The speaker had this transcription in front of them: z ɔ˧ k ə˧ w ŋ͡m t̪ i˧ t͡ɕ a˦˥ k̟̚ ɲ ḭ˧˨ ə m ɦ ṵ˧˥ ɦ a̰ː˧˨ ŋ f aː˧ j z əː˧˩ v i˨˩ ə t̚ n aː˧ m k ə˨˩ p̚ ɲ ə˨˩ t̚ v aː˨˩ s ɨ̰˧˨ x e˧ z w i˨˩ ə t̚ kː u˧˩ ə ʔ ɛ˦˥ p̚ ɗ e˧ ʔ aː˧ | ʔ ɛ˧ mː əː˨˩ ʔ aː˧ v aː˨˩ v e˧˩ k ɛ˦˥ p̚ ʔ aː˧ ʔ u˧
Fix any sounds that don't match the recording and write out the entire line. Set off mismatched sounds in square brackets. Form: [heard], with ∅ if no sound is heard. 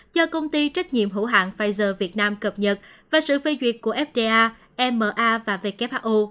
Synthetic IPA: z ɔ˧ k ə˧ w ŋ͡m t̪ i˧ t͡ɕ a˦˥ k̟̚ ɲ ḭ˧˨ ə m ɦ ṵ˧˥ ɦ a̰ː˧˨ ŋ f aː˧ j z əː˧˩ v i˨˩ ə t̚ n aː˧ m k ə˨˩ p̚ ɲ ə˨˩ t̚ v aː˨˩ s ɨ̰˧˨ [f] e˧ z w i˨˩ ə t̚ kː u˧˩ ə ʔ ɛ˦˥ p̚ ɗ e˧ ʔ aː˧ | ʔ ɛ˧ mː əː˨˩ ʔ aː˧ v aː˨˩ v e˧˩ k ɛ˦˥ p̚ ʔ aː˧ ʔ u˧